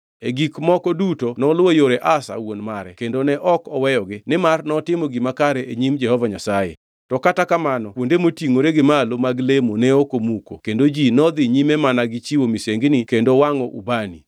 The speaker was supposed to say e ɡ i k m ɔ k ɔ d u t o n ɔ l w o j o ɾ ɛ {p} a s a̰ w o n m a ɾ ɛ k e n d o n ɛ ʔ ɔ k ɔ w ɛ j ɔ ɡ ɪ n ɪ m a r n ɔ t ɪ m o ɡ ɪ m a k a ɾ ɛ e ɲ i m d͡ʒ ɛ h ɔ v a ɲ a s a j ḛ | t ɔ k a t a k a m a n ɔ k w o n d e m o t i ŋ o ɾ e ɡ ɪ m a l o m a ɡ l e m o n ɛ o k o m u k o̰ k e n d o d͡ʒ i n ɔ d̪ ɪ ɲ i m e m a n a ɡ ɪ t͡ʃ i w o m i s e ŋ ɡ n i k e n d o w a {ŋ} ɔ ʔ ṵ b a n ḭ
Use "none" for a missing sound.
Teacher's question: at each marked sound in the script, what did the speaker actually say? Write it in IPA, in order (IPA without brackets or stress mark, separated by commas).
ʔ, ŋ